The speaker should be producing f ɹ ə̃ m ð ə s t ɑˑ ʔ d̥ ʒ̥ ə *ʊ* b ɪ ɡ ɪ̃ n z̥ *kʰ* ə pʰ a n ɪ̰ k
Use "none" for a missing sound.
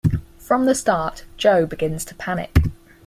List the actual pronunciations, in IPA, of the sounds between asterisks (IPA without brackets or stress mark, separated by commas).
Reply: ʊ, tʰ